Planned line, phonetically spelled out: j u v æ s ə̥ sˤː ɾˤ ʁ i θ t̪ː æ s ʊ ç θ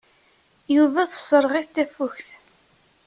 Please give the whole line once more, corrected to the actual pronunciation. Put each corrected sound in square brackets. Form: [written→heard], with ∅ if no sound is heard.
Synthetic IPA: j u v æ [s→θ] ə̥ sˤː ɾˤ ʁ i θ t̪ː æ [s→f] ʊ ç θ